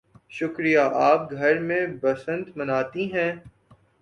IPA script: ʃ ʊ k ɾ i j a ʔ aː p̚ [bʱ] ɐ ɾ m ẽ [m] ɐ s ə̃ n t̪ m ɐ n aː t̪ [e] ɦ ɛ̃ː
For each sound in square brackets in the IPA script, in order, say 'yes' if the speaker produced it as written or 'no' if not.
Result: no, no, no

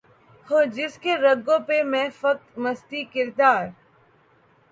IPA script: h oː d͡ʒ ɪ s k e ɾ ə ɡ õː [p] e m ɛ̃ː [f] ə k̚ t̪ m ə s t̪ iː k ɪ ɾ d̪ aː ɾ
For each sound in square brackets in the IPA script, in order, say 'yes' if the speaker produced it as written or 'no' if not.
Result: yes, yes

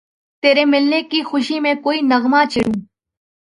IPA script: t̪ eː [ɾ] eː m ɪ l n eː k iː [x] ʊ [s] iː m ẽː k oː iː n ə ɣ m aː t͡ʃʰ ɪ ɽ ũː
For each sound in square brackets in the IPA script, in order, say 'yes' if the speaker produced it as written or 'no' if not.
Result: yes, yes, no

